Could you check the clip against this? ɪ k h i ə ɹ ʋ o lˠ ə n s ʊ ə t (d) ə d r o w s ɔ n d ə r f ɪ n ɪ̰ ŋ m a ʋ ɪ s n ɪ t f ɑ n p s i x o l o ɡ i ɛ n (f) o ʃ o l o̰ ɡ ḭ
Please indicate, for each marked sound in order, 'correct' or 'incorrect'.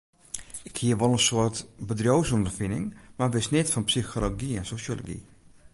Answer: incorrect, incorrect

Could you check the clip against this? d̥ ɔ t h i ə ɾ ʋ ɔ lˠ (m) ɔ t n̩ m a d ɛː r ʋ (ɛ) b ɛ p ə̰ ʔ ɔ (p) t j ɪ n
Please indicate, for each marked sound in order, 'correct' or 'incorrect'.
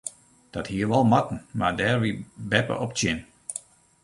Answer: correct, incorrect, correct

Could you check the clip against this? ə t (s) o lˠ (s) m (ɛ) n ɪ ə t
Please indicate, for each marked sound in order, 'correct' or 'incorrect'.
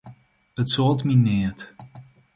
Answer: correct, incorrect, incorrect

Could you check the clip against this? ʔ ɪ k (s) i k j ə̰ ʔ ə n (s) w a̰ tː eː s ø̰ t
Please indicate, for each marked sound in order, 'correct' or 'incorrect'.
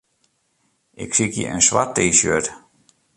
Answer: correct, correct

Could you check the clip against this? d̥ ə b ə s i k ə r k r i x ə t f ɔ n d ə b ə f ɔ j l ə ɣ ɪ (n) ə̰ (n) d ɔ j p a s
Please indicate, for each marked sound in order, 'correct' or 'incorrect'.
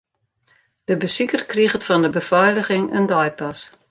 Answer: incorrect, correct

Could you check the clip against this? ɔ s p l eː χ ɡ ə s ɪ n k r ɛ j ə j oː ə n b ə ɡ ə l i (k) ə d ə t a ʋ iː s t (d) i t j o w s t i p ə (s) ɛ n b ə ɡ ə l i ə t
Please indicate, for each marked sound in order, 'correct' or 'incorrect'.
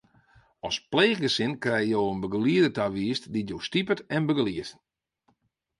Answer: incorrect, correct, incorrect

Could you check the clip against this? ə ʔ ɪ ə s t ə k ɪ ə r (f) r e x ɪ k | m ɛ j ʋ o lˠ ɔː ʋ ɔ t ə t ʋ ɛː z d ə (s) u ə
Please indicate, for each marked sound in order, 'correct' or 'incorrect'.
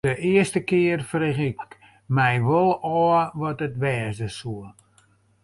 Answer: correct, correct

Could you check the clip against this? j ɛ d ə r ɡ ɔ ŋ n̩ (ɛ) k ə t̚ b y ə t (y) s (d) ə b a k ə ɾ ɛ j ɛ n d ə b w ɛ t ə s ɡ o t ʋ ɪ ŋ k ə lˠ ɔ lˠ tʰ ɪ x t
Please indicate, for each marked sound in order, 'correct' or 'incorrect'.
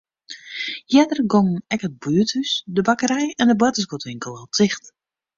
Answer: correct, correct, correct

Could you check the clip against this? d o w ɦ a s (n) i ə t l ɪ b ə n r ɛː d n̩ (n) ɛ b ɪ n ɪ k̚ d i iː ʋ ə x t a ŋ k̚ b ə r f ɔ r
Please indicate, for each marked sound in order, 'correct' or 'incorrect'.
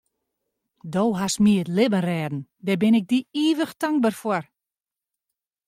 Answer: incorrect, incorrect

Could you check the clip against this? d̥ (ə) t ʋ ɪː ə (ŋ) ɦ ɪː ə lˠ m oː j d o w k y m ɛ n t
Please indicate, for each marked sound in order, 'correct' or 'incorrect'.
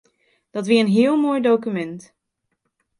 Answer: incorrect, incorrect

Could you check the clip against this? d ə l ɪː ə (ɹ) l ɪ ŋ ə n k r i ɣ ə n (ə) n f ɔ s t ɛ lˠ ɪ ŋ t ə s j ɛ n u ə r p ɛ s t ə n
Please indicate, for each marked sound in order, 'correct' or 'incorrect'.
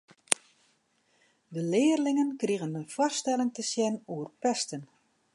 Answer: incorrect, correct

